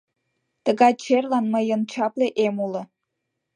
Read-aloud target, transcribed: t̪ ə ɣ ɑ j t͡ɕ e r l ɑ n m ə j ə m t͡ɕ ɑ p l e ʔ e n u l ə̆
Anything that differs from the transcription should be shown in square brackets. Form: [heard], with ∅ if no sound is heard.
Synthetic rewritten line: t̪ ə ɣ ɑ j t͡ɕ e r l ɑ n m ə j ə [n] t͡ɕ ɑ p l e ʔ e [m] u l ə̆